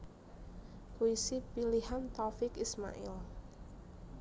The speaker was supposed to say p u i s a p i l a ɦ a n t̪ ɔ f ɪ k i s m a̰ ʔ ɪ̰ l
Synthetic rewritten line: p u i s i p i l i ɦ a n t̪ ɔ f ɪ k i s m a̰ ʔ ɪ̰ l